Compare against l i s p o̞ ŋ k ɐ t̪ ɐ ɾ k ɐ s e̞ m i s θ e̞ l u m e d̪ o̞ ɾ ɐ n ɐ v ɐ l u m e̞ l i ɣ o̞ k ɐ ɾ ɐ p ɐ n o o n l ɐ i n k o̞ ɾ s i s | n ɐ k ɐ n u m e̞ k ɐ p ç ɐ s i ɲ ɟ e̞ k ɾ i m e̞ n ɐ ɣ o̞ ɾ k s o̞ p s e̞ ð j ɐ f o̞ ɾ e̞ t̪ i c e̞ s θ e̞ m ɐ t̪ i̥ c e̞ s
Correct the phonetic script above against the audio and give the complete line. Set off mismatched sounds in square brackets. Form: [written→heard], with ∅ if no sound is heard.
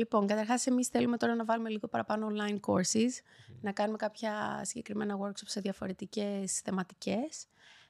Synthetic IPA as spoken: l i [s→∅] p o̞ ŋ k ɐ t̪ ɐ ɾ [k→x] ɐ s e̞ m i s θ e̞ l u m e [d̪→t̪] o̞ ɾ ɐ n ɐ v ɐ l u m e̞ l i ɣ o̞ [k→p] ɐ ɾ ɐ p ɐ n o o n l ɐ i n k o̞ ɾ s i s | n ɐ k ɐ n u m e̞ k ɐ p ç ɐ s i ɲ ɟ e̞ k ɾ i m e̞ n ɐ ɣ o̞ ɾ k s o̞ p s e̞ ð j ɐ f o̞ ɾ e̞ t̪ i c e̞ s θ e̞ m ɐ t̪ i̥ c e̞ s